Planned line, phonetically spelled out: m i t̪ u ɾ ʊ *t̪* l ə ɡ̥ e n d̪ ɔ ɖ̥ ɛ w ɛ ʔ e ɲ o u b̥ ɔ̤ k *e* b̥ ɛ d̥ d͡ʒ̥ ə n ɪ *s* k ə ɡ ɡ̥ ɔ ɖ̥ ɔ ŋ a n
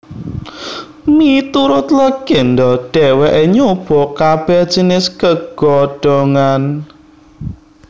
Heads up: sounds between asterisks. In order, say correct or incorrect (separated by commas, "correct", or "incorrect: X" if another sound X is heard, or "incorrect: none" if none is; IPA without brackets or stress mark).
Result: correct, incorrect: a, correct